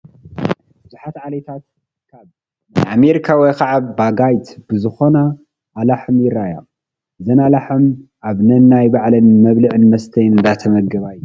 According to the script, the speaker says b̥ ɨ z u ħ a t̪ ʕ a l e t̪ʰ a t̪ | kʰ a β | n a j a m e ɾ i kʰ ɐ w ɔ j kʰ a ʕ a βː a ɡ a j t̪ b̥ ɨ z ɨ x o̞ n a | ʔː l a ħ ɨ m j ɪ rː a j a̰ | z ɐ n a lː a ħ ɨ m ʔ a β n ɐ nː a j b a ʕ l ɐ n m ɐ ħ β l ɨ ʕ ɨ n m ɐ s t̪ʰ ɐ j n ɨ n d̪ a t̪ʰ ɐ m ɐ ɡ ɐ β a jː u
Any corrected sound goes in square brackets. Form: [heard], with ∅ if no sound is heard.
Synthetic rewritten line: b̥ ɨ z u ħ a t̪ ʕ a l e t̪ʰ a t̪ | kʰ a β | n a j a m e ɾ i kʰ [a] w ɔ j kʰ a ʕ a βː a ɡ a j t̪ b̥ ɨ z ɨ x o̞ n a | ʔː l a ħ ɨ m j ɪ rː a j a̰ | z ɐ n a [l] a ħ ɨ m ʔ a β n ɐ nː a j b a ʕ l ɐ n m ɐ [∅] β l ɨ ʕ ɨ n m ɐ s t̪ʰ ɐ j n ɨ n d̪ a t̪ʰ ɐ m ɐ ɡ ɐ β a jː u